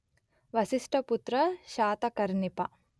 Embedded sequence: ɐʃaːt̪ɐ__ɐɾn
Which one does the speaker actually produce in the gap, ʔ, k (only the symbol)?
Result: k